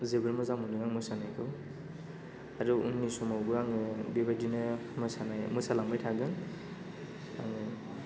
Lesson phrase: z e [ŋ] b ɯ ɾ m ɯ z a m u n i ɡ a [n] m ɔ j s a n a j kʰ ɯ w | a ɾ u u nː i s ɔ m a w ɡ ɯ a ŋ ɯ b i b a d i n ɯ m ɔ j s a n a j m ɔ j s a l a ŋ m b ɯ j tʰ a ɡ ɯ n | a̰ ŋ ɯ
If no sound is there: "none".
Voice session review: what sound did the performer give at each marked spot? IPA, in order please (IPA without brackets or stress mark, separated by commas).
none, ŋ